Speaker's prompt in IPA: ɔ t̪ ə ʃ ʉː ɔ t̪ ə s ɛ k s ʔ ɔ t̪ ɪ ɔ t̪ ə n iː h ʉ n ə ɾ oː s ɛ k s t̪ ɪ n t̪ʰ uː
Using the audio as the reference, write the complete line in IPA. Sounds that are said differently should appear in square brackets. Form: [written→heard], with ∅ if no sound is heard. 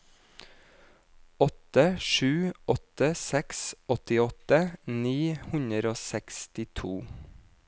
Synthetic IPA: ɔ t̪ ə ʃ ʉː ɔ t̪ ə s ɛ k s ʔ ɔ t̪ ɪ ɔ t̪ ə n iː h ʉ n ə ɾ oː s ɛ k s t̪ ɪ [n→∅] t̪ʰ uː